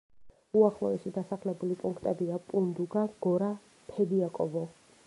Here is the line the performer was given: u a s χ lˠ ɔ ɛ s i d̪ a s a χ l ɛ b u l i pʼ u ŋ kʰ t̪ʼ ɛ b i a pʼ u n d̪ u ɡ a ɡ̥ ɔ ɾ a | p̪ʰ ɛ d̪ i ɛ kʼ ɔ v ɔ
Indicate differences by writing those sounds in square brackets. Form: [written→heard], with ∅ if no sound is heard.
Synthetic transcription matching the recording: u a [s→∅] χ lˠ ɔ ɛ s i d̪ a s a χ l ɛ b u l i pʼ u ŋ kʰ t̪ʼ ɛ b i a pʼ u n d̪ u ɡ a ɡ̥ ɔ ɾ a | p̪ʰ ɛ d̪ i [ɛ→a] kʼ ɔ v ɔ